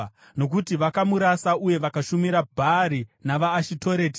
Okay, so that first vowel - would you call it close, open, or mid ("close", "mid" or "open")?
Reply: mid